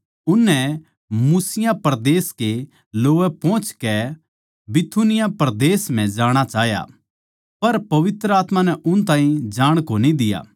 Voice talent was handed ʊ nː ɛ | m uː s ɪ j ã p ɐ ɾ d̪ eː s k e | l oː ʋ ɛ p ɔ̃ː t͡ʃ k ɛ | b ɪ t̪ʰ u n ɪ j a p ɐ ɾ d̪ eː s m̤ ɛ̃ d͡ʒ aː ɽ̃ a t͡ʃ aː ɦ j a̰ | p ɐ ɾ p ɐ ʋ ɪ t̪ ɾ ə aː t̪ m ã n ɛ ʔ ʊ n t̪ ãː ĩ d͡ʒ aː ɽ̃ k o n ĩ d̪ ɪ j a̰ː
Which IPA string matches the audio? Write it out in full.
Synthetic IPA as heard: ʊ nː ɛ | m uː s ɪ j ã p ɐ ɾ d̪ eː s k e | l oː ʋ ɛ p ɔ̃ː t͡ʃ k ɛ | b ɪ t̪ʰ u n ɪ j a p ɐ ɾ d̪ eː s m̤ ɛ̃ d͡ʒ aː ɽ̃ a t͡ʃ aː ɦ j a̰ | p ɐ ɾ p ɐ ʋ ɪ t̪ ɾ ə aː t̪ m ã n ɛ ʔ ʊ n t̪ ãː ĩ d͡ʒ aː ɽ̃ k o n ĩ d̪ ɪ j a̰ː